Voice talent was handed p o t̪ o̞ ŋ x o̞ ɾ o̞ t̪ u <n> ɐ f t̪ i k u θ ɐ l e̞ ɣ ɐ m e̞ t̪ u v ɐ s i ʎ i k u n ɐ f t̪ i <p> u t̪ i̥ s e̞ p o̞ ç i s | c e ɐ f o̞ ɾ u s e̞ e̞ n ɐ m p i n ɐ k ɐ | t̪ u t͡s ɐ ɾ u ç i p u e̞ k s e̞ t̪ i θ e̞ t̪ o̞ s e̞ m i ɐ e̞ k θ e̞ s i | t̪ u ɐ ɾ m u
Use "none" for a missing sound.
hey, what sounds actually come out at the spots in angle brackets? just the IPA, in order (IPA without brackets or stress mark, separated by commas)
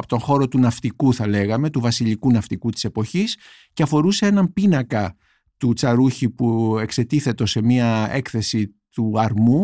n, k